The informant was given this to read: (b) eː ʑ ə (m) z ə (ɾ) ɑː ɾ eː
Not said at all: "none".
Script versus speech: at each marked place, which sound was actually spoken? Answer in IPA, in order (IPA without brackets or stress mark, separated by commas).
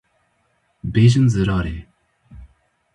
b, n, ɾ